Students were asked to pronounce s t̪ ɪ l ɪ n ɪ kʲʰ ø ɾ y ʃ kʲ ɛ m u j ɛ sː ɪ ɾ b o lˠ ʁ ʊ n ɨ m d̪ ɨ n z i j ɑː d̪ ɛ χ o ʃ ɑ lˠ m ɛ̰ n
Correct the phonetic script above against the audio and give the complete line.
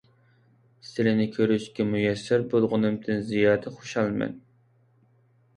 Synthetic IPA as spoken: s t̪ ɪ l ɪ n ɪ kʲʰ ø ɾ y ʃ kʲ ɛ m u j ɛ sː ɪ ɾ b o lˠ ʁ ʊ n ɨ m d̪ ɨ n z i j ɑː d̪ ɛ χ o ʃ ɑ lˠ m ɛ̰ n